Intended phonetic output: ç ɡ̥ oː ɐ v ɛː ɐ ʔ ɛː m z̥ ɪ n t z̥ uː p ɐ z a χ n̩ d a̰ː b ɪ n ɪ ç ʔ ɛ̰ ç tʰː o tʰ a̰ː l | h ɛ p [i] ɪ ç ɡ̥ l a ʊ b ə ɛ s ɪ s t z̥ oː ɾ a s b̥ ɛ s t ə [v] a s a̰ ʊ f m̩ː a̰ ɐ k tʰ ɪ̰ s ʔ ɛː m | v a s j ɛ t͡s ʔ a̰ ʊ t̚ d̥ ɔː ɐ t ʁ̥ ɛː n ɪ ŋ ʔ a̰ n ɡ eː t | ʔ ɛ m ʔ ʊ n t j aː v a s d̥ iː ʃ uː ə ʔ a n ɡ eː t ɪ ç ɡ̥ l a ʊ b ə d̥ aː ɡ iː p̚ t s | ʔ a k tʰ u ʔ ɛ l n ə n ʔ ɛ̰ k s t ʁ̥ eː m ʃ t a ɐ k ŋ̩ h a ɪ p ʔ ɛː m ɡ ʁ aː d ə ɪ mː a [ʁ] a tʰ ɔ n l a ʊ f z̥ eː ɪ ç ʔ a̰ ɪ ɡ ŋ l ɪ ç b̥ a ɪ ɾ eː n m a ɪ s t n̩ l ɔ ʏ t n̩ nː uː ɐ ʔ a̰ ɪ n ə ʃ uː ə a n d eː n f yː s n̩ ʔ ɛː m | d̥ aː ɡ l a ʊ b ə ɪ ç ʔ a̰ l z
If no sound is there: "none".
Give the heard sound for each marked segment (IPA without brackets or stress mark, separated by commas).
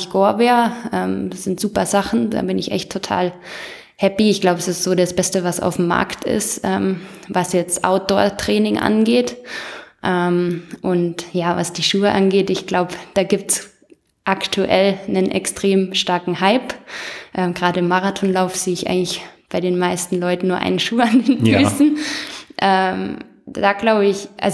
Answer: i, v, ʁ